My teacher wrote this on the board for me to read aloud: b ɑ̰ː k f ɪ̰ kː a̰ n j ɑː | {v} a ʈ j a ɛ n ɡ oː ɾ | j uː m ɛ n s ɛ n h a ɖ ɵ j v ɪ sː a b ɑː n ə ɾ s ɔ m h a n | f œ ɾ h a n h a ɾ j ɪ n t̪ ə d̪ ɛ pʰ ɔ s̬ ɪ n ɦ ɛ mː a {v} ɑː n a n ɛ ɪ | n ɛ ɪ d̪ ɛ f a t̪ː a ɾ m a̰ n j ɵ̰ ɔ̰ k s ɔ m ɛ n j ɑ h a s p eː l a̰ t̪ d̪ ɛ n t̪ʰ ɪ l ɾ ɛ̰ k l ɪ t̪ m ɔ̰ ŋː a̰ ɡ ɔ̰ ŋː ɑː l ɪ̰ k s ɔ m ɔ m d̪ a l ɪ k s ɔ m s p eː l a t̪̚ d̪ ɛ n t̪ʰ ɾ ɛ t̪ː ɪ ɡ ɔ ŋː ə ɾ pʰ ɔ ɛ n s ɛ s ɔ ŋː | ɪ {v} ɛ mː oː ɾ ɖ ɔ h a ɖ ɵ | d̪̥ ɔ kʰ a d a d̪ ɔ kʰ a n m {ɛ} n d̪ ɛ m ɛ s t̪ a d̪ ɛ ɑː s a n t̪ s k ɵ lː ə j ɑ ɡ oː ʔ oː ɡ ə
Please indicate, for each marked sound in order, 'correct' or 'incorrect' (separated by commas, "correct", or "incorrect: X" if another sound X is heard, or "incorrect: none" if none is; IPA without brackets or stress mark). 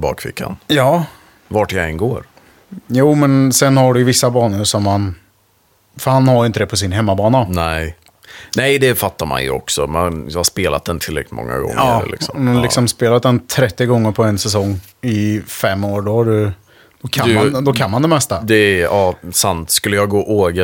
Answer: correct, incorrect: b, incorrect: f, incorrect: a